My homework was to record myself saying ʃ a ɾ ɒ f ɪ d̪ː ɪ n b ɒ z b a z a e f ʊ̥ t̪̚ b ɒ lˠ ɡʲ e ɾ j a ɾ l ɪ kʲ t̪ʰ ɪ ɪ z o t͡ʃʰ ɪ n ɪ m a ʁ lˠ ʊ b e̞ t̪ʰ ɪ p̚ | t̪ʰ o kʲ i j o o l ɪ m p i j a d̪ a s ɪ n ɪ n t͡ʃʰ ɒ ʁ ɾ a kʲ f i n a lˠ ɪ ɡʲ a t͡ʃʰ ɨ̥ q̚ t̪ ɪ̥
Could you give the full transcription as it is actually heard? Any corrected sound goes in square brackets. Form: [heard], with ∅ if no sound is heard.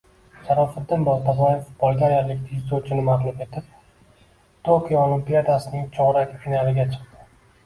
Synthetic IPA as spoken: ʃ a ɾ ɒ f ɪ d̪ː ɪ n b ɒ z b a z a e f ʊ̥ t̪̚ b ɒ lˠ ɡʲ [a] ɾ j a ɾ l ɪ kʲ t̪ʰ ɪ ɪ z o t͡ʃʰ ɪ n ɪ m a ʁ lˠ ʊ [m] e̞ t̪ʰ ɪ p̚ | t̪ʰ o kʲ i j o o l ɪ m p i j a d̪ a s ɪ n ɪ [ŋ] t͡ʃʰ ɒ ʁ ɾ a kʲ f i n a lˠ ɪ ɡʲ a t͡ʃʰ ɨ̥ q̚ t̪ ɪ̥

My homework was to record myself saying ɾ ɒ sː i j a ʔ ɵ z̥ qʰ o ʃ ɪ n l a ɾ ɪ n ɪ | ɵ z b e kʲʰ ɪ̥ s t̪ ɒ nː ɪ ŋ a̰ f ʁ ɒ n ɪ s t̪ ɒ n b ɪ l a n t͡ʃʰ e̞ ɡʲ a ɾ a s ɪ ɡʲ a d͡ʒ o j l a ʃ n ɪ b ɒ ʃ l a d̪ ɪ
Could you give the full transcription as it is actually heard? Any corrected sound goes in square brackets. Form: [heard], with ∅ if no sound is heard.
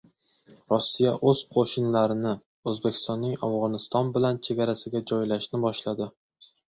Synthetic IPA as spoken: ɾ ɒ sː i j a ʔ ɵ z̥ qʰ o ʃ ɪ n l a ɾ ɪ n ɪ | ɵ z b e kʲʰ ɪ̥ s t̪ ɒ nː ɪ ŋ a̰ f ʁ ɒ n ɪ s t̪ ɒ n b ɪ l a n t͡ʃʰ e̞ ɡʲ a ɾ a s ɪ ɡʲ a d͡ʒ [ɒ] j l a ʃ n ɪ b ɒ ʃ l a d̪ ɪ

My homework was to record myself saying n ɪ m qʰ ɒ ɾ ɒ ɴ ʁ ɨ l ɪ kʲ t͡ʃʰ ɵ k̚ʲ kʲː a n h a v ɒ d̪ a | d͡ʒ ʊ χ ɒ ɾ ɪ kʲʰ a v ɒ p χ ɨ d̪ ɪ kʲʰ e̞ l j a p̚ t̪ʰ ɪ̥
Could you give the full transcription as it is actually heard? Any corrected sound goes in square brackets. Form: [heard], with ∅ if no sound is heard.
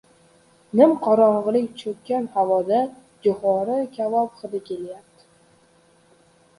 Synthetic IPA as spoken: n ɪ m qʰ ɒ ɾ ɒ ɴ ʁ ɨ l ɪ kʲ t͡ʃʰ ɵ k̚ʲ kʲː a n h a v ɒ d̪ a | d͡ʒ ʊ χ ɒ ɾ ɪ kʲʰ a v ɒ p χ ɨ d̪ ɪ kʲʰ e̞ l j a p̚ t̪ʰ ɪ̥

